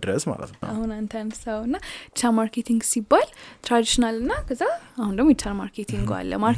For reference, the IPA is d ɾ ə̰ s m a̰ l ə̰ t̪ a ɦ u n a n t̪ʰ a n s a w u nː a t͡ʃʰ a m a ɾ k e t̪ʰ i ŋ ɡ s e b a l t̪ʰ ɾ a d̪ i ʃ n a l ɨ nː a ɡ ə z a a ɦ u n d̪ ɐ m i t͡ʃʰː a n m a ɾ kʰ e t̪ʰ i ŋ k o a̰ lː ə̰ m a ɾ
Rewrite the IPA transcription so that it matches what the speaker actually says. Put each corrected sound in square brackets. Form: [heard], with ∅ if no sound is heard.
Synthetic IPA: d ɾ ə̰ s m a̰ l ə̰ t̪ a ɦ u n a n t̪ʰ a n s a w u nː a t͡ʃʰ a m a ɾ k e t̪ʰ i ŋ ɡ s [i] b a l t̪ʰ ɾ a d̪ i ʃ n a l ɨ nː a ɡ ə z a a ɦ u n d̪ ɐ m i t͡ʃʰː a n m a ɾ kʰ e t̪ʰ i ŋ [ɡ] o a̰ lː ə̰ m a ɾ